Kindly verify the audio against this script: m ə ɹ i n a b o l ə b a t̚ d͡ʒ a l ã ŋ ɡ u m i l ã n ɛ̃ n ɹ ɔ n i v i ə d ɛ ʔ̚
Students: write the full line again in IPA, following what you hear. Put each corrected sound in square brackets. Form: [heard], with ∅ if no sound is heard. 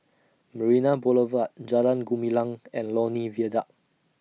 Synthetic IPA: m ə ɹ i n a b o l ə [v] a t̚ d͡ʒ a l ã [n] ɡ u m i l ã [ŋ] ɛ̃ n [l] ɔ n i v i ə d [a] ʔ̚